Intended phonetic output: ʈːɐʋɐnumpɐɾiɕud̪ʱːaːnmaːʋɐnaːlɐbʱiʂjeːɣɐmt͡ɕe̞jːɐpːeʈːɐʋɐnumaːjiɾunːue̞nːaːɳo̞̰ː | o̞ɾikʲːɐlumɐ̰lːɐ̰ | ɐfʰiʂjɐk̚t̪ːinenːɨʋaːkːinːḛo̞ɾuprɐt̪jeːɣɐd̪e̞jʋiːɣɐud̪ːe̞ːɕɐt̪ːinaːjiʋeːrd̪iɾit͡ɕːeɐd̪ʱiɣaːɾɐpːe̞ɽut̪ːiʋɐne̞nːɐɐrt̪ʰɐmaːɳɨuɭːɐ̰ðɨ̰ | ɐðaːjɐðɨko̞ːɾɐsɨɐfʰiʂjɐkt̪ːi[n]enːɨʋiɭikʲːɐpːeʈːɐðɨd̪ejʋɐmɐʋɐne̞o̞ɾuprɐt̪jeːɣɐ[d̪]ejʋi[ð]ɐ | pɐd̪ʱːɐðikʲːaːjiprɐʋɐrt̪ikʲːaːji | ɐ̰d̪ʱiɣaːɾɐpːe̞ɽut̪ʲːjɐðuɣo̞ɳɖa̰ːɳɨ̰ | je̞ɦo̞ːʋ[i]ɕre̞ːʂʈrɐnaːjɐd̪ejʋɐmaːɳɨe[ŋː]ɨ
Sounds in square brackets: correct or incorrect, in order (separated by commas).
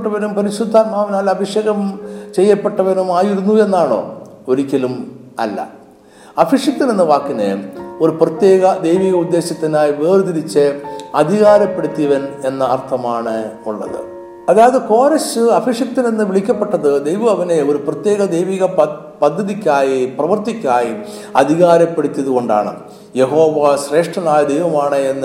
correct, correct, incorrect, incorrect, incorrect